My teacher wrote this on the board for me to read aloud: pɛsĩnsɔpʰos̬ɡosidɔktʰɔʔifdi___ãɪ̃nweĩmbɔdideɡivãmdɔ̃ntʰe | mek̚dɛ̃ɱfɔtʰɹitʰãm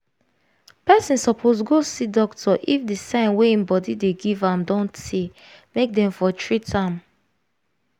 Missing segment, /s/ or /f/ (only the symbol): s